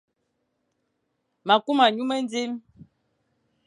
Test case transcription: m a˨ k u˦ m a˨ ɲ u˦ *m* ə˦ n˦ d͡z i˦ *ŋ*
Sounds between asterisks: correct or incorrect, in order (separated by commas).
correct, incorrect